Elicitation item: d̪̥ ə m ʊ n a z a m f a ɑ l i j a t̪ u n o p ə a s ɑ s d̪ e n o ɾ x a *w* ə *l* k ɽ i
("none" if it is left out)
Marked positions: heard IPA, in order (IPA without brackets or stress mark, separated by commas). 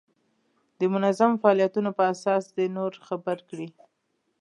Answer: b, ɾ